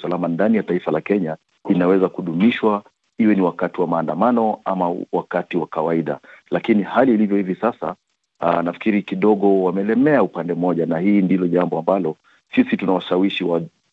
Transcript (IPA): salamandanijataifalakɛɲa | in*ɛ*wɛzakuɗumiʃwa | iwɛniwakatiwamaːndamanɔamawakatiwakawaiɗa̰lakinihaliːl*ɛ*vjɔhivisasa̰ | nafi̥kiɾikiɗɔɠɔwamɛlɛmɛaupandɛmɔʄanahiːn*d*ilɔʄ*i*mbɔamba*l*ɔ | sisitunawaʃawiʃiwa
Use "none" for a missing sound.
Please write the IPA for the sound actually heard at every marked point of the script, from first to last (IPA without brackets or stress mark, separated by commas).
a, i, d, a, l